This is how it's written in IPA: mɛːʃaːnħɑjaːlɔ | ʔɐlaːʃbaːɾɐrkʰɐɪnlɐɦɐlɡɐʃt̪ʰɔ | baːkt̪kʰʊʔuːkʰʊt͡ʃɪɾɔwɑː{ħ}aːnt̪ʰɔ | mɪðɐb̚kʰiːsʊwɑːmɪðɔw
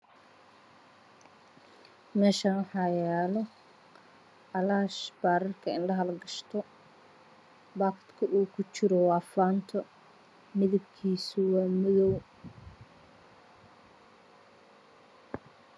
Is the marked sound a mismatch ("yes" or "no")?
yes